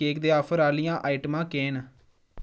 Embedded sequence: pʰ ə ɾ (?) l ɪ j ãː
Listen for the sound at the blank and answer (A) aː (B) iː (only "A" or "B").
A